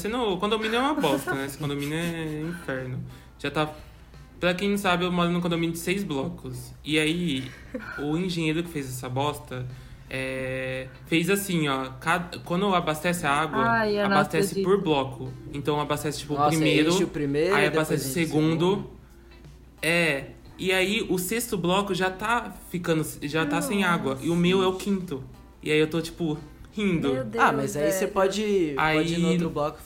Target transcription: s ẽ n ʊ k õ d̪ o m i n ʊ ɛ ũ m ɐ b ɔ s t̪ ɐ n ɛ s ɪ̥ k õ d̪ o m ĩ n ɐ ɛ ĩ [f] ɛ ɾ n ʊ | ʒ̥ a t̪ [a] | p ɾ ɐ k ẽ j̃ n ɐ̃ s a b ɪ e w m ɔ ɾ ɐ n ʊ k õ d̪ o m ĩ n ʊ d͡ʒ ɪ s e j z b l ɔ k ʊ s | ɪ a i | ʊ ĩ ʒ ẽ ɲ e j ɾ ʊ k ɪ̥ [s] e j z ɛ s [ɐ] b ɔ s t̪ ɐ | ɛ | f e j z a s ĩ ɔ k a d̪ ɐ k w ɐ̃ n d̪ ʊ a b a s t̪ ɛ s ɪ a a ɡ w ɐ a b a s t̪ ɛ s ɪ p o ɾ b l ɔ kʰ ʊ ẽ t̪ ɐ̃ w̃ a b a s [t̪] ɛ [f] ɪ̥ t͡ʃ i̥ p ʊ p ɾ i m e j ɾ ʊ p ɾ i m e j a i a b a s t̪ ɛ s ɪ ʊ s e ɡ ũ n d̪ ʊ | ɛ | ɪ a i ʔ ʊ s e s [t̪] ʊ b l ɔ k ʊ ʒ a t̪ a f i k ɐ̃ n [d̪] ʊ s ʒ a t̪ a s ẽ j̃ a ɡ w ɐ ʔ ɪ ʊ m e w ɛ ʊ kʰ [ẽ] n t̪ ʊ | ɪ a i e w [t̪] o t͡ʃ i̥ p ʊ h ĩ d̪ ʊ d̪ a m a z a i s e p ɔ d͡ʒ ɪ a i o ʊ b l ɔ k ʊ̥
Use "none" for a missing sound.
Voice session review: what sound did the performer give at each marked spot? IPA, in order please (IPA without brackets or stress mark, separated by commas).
f, a, f, ɐ, t̪, s, t̪, d̪, ĩ, t̪